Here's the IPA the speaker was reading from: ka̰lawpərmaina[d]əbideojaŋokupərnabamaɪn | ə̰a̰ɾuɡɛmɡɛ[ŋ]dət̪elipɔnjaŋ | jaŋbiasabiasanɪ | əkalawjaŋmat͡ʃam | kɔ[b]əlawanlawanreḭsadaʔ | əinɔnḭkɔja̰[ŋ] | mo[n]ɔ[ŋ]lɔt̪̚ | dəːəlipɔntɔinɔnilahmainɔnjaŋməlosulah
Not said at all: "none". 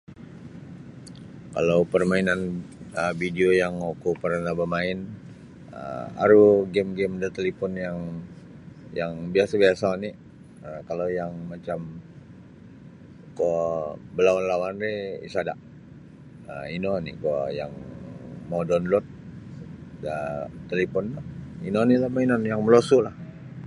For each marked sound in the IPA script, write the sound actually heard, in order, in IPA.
n, m, b, ŋ, d, n

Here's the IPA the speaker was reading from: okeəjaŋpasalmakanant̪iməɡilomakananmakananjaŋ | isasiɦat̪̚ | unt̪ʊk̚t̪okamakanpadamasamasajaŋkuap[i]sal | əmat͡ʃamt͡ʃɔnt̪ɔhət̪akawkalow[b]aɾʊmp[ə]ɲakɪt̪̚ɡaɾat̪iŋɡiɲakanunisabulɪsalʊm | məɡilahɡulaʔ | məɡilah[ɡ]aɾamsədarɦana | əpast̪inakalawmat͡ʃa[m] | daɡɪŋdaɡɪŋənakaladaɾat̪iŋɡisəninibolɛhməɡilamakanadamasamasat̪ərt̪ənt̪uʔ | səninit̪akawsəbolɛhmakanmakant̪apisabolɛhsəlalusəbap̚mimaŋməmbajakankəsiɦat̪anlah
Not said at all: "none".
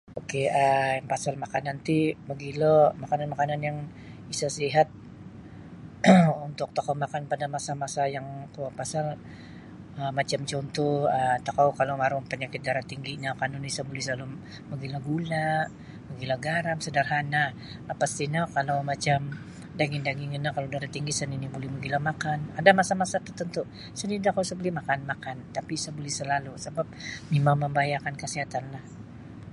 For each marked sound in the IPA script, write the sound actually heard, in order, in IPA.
a, m, ə, ɡ, m

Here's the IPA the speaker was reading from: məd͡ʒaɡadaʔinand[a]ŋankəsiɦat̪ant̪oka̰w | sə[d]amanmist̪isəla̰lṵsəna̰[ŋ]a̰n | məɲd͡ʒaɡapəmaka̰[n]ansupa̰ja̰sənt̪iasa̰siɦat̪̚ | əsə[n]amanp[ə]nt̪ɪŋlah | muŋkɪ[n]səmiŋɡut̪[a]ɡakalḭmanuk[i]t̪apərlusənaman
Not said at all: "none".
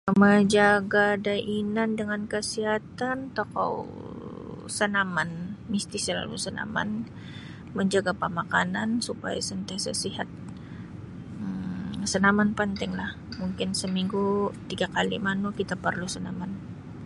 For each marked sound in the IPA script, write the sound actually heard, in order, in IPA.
ə, n, m, n, n, ə, n, i, i

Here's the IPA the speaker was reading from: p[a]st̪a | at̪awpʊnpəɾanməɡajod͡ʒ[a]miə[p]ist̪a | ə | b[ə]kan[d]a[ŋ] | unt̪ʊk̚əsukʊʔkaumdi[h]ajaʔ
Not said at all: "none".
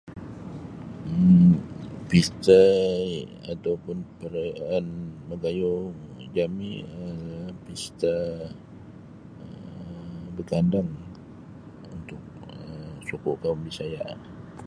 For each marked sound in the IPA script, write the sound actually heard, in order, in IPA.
i, a, p, ə, d, ŋ, s

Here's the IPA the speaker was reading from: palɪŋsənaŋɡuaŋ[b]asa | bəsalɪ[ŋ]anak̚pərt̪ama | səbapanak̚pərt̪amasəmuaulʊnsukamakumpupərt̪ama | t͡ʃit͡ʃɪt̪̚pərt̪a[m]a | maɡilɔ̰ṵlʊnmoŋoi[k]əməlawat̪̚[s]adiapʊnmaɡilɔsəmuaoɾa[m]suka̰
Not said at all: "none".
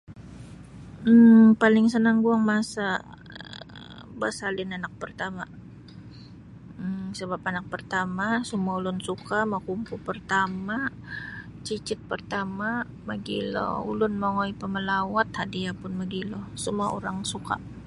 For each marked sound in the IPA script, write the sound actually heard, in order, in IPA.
m, n, m, p, h, ŋ

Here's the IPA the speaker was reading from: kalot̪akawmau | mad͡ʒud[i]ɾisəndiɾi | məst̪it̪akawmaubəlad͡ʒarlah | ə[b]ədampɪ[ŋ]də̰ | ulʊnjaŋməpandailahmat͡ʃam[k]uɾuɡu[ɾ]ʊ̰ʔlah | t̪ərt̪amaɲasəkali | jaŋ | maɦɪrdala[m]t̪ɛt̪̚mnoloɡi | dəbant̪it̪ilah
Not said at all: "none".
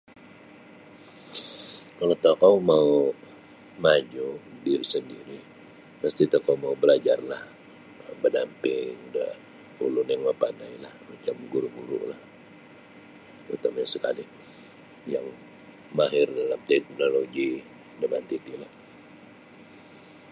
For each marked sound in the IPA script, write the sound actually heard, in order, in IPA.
i, b, ŋ, ɡ, ɾ, m

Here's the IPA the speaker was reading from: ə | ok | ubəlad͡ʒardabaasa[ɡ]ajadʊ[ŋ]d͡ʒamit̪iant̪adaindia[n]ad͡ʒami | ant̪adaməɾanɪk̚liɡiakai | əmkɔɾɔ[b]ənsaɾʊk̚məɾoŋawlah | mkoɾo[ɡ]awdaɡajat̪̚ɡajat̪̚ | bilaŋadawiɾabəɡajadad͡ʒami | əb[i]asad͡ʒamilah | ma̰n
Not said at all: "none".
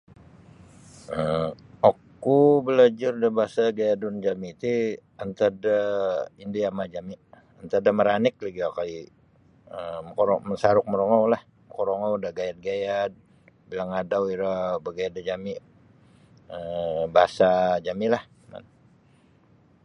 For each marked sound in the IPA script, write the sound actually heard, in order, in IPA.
ɡ, n, m, m, ŋ, a

